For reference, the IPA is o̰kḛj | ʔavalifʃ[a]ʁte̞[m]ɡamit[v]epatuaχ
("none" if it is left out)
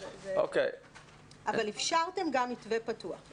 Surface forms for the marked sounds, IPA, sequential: a, m, v

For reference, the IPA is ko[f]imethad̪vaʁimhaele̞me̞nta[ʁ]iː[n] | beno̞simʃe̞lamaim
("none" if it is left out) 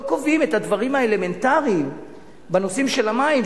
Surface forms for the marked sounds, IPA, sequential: v, ʁ, m

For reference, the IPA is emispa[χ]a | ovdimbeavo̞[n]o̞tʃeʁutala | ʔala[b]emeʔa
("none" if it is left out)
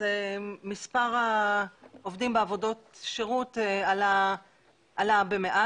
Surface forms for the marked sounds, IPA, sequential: ʁ, d, b

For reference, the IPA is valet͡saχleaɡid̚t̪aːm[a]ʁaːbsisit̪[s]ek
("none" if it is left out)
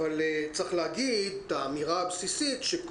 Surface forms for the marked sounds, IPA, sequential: i, ʃ

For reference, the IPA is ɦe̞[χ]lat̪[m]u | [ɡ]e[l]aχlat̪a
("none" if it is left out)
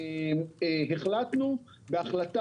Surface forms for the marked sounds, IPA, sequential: χ, n, b, none

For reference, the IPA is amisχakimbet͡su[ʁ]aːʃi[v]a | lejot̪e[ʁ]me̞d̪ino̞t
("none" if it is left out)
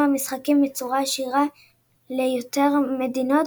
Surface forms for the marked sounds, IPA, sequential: ʁ, ʁ, ʁ

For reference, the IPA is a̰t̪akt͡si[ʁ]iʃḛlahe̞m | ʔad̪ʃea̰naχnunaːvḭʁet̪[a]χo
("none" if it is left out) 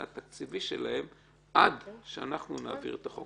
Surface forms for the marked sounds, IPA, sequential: v, a

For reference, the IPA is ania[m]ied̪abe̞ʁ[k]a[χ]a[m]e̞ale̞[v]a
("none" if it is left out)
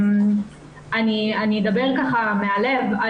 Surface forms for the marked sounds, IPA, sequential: n, k, χ, m, v

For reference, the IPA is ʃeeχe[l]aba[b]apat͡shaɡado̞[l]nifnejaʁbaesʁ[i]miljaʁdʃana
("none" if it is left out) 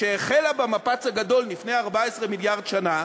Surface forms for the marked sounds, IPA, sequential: l, m, l, e

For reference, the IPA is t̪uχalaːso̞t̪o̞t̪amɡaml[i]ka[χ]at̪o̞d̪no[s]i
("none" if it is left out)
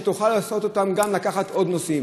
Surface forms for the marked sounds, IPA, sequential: a, χ, s

